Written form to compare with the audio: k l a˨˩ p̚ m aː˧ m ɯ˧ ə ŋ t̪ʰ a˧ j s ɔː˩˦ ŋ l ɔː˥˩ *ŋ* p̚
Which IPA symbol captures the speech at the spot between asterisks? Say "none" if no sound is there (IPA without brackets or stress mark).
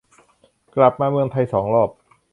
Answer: none